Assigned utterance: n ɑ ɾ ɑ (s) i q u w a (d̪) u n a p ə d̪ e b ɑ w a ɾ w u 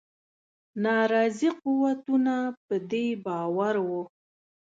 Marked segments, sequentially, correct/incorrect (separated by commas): incorrect, incorrect